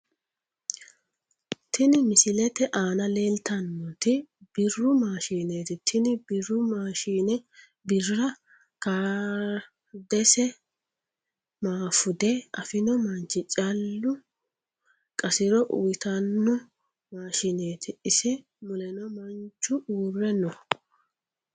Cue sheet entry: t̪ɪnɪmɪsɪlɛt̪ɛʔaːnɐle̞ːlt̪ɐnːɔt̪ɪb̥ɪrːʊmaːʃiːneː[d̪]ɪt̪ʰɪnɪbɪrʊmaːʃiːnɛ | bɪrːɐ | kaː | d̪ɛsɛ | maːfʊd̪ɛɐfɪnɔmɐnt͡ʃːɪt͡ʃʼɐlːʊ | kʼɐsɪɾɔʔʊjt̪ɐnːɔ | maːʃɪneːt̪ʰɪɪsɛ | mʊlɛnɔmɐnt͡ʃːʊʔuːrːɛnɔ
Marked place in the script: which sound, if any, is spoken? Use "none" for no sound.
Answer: t̪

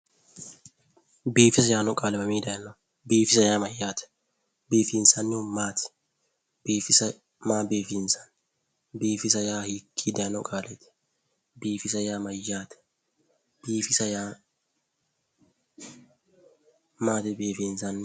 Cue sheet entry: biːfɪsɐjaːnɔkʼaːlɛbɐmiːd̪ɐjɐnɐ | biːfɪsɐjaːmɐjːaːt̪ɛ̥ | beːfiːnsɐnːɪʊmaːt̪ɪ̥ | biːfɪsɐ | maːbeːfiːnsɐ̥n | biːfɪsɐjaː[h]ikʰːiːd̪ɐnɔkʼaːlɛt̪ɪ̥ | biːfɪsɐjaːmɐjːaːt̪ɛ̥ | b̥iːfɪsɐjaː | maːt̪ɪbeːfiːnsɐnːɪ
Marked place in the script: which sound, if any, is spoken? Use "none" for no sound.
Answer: h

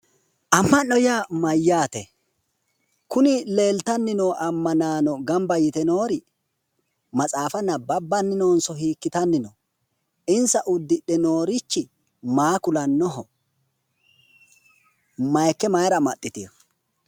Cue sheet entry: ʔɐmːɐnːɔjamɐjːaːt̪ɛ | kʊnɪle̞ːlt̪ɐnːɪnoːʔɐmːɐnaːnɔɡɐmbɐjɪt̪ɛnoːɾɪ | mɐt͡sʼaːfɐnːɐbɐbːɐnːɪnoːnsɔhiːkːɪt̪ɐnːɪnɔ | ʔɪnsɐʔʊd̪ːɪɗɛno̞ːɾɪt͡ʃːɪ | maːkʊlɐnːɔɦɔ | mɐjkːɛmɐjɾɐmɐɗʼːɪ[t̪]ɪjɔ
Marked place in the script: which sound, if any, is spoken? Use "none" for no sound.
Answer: t̪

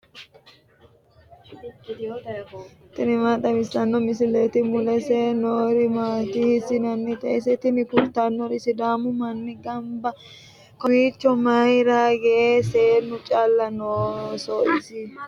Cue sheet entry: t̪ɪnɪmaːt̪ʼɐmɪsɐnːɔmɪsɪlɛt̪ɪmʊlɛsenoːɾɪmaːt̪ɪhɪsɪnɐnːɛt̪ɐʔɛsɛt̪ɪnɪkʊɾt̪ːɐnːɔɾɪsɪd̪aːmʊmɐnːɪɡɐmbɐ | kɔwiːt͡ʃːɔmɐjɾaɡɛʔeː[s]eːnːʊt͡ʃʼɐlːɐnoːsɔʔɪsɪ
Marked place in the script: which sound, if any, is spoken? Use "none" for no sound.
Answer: s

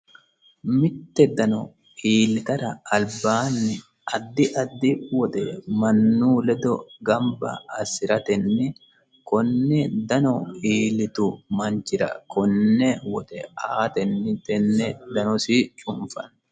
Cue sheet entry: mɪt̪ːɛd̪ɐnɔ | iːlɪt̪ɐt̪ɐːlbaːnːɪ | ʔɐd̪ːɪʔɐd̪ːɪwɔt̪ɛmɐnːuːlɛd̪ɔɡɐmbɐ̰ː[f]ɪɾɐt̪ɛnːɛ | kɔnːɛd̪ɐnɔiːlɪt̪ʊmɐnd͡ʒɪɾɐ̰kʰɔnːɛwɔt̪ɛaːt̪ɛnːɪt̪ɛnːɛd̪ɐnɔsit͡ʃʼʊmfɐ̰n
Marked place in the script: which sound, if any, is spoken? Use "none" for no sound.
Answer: s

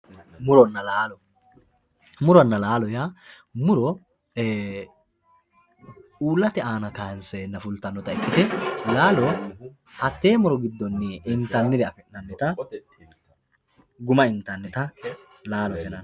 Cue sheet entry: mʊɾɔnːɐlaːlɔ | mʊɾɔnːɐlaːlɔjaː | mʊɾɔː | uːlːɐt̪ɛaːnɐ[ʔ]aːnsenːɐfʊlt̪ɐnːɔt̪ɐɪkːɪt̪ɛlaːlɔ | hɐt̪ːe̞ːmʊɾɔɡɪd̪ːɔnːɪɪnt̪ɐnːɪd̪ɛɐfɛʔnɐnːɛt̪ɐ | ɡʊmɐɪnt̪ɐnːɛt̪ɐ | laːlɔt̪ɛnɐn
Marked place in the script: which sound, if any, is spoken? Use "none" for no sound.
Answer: k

